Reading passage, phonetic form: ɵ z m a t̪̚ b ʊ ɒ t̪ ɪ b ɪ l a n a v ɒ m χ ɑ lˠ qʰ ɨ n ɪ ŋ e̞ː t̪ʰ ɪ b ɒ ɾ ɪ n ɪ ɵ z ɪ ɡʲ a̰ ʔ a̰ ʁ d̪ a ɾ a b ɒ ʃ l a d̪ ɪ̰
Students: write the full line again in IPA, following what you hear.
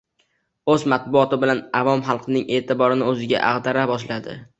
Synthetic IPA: ɵ z m a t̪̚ b ʊ ɒ t̪ ɪ b ɪ l a n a v ɒ m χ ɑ lˠ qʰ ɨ n ɪ ŋ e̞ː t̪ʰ ɪ b ɒ ɾ ɪ n ɪ ɵ z ɪ ɡʲ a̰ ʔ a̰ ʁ d̪ a ɾ a b ɒ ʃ l a d̪ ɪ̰